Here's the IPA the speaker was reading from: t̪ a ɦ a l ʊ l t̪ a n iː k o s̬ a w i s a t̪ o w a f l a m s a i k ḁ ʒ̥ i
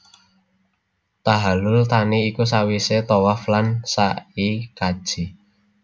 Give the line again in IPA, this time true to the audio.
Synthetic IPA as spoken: t̪ a ɦ a l ʊ l t̪ a n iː k u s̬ a w i s e t̪ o w a f l a n s a i k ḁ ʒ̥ i